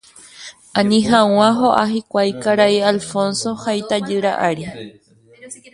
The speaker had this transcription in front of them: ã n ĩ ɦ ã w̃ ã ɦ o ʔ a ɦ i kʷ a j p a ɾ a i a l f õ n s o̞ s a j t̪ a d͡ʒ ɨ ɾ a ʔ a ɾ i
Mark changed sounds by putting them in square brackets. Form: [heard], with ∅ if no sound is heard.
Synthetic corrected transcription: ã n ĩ ɦ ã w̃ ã ɦ o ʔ a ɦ i kʷ a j [k] a ɾ a i a l f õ n s o̞ [h] a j t̪ a d͡ʒ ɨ ɾ a ʔ a ɾ i

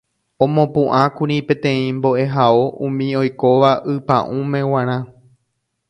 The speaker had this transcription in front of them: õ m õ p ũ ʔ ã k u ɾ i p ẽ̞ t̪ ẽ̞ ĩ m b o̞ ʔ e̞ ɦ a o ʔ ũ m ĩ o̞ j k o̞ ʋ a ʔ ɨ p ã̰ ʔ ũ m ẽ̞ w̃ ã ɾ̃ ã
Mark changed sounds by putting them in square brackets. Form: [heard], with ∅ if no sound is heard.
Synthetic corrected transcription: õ m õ p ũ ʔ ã k u ɾ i p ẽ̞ t̪ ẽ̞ ĩ m b o̞ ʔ e̞ ɦ a o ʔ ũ m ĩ o̞ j k o̞ ʋ a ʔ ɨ p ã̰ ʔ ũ m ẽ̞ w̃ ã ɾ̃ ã

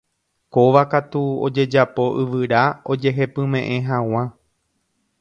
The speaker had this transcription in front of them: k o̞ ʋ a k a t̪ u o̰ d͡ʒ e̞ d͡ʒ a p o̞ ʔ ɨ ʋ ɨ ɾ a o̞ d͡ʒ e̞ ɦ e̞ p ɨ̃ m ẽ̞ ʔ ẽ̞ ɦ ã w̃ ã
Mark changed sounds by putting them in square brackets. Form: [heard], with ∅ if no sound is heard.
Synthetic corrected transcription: k o̞ ʋ a k a t̪ u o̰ d͡ʒ e̞ d͡ʒ a p o̞ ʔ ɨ ʋ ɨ ɾ a o̞ d͡ʒ e̞ ɦ e̞ p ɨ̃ m ẽ̞ ʔ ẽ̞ ɦ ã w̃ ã

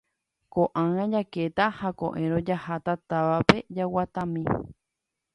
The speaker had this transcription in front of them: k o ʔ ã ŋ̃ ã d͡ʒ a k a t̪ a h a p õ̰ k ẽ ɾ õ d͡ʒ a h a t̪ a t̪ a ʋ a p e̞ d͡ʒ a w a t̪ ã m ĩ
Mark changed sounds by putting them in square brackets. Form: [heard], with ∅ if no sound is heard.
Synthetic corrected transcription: k o ʔ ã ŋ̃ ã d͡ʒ a k [e] t̪ a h a [k] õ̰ [ʔ] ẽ ɾ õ d͡ʒ a h a t̪ a t̪ a ʋ a p e̞ d͡ʒ a w a t̪ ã m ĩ

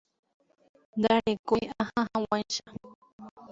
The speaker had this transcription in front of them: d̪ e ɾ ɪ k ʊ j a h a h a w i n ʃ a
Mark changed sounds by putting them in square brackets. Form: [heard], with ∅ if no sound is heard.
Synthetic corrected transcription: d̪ [a] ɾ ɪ k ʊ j a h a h a w [a] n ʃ a

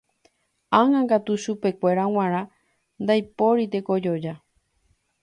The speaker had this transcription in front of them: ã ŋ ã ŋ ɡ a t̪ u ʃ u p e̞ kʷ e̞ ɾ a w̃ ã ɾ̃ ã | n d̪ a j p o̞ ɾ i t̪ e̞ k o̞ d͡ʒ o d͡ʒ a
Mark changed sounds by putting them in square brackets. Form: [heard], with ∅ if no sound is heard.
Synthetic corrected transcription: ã ŋ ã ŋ ɡ a t̪ u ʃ u p e̞ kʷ e̞ ɾ a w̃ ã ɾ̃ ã | n d̪ a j p o̞ ɾ i t̪ e̞ k o̞ d͡ʒ o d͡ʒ a

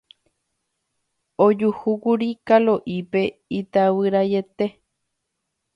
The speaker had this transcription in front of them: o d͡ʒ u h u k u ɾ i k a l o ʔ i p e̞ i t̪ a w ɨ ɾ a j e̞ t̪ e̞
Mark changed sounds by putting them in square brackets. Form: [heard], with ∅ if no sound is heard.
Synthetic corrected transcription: o d͡ʒ u h u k u ɾ i k a l o ʔ i p e̞ i t̪ a w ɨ ɾ a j e̞ t̪ e̞

